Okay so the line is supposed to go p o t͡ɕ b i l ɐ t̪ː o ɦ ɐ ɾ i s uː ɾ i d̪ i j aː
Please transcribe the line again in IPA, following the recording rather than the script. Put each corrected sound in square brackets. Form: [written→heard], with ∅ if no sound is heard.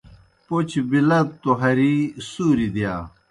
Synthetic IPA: p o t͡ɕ b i l ɐ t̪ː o ɦ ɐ ɾ i s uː ɾ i d̪ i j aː